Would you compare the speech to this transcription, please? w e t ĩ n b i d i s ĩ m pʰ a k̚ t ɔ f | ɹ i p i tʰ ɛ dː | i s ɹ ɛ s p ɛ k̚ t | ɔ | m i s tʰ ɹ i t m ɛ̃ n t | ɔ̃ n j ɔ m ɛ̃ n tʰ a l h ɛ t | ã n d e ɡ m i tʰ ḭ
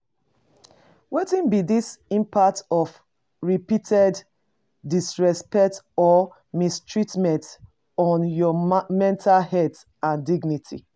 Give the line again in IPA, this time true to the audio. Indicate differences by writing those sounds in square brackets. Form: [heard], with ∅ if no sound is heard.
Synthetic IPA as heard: w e t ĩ n b i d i s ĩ m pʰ a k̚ t ɔ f | ɹ i p i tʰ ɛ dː | i s ɹ ɛ s p ɛ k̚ t | ɔ | m i s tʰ ɹ i t m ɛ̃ n t | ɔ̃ n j ɔ m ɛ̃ n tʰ a l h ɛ t | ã n d [i] ɡ [n] i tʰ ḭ